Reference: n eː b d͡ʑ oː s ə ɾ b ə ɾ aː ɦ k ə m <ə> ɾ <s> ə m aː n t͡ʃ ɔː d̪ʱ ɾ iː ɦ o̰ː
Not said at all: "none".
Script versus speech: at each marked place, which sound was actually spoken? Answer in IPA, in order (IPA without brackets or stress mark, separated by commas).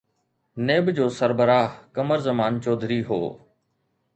ə, z